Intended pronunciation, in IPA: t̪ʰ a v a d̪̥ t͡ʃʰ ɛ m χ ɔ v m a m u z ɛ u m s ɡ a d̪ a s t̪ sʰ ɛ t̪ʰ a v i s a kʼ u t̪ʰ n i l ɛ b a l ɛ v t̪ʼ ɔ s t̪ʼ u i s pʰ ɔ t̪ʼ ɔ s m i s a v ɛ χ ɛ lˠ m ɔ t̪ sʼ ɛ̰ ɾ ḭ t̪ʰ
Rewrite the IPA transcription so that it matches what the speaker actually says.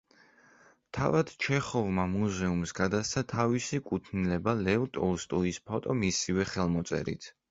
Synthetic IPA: t̪ʰ a v a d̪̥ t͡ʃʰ ɛ χ ɔ v m a m u z ɛ u m s ɡ a d̪ a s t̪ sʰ a t̪ʰ a v i s i kʼ u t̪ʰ n i l ɛ b a l ɛ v t̪ʼ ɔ s t̪ʼ u i s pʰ ɔ t̪ʼ ɔ m i s i v ɛ χ ɛ lˠ m ɔ t̪ sʼ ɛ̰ ɾ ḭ t̪ʰ